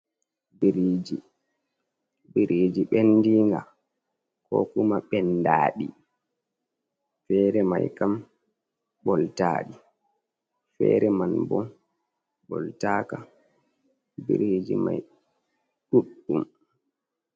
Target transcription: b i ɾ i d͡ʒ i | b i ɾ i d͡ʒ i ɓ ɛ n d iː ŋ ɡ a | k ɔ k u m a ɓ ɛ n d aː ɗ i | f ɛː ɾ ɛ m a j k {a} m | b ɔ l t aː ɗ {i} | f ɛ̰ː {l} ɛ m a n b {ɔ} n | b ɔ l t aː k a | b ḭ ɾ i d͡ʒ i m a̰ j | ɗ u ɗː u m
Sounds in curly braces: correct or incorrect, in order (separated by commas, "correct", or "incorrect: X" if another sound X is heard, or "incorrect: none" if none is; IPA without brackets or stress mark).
correct, correct, incorrect: ɾ, correct